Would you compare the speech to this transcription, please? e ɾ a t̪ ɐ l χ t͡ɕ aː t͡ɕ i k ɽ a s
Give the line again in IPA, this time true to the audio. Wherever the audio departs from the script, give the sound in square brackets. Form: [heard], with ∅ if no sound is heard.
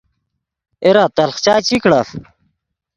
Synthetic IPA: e ɾ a t̪ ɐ l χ t͡ɕ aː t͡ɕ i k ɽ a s